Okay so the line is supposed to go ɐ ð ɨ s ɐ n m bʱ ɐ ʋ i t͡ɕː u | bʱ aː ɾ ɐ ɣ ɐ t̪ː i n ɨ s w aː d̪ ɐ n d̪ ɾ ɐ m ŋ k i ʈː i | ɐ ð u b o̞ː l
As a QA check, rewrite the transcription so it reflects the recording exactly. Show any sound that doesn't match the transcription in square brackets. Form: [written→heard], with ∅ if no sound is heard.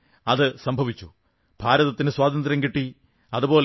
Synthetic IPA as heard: ɐ ð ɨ s ɐ [n→∅] m bʱ ɐ ʋ i t͡ɕː u | bʱ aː ɾ ɐ [ɣ→ð] ɐ t̪ː i n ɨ s w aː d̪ ɐ n d̪ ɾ ɐ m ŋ k i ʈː i | ɐ ð u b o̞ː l